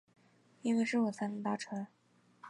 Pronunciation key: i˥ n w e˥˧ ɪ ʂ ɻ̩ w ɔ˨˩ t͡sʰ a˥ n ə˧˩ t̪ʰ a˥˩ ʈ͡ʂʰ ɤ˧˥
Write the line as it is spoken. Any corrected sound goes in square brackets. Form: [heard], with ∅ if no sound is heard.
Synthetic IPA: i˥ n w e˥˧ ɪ ʂ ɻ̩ w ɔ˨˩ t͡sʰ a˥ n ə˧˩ [t̪] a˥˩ ʈ͡ʂʰ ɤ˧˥